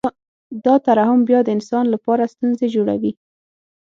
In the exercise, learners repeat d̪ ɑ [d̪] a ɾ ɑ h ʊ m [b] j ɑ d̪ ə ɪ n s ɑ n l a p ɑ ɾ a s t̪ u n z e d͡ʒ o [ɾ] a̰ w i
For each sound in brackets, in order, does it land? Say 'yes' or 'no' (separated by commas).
no, yes, no